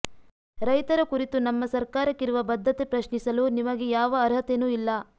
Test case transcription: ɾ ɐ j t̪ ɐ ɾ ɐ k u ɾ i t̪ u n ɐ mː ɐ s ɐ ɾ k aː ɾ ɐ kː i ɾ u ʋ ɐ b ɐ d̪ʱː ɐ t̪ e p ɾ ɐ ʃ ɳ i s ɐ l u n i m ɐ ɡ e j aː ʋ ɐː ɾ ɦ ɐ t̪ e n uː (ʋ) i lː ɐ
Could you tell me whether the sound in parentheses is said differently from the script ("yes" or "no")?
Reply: yes